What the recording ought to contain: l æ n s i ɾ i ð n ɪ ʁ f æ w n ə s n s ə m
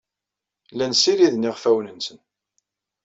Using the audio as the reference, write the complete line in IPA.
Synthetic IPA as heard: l æ n s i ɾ i ð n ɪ ʁ f æ w n ə n s ə n